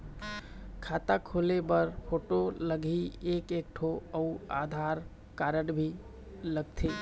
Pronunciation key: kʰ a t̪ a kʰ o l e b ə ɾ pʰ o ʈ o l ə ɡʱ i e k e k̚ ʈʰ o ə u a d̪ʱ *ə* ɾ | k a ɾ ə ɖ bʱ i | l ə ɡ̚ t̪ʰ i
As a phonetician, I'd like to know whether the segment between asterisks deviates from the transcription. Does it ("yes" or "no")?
yes